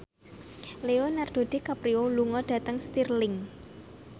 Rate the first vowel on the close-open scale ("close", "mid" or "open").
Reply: mid